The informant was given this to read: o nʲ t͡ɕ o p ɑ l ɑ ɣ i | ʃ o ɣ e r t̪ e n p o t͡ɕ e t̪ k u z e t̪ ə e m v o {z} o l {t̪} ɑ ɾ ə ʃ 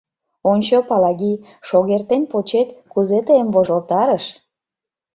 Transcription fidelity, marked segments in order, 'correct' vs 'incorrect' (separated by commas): incorrect, correct